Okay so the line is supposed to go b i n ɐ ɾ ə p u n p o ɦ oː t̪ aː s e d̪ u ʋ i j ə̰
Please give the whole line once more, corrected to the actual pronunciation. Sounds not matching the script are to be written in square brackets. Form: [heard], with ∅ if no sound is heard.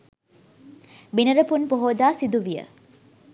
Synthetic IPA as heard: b i n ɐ ɾ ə p u n p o ɦ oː [d̪] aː s [i] d̪ u ʋ i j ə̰